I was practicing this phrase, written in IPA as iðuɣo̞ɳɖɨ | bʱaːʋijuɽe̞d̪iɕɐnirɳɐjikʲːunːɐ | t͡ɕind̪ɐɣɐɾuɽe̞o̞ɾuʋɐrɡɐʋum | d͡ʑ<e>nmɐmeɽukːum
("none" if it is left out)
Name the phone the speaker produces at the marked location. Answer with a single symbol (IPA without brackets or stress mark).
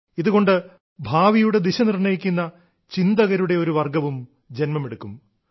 e